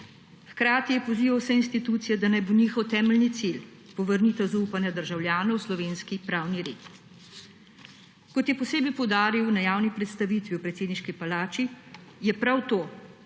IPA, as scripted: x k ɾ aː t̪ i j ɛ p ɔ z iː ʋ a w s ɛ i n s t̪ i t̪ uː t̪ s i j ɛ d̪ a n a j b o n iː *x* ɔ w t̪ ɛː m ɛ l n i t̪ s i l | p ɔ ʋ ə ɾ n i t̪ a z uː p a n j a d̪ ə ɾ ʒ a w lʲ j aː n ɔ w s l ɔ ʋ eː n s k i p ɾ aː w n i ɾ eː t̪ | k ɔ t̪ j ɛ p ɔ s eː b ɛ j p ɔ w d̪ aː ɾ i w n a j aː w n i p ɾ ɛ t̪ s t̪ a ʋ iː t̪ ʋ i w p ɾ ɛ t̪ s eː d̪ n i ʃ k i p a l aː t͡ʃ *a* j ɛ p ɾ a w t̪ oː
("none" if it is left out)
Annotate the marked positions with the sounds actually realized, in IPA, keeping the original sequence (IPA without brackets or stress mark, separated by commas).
x, i